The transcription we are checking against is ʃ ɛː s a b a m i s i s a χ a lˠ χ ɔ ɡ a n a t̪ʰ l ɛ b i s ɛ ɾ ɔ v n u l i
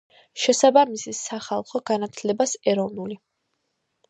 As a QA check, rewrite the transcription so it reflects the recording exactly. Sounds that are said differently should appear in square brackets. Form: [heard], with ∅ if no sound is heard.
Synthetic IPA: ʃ [ɛ] s a b a m i s i s a χ a lˠ χ ɔ ɡ a n a t̪ʰ l ɛ b [a] s ɛ ɾ ɔ v n u l i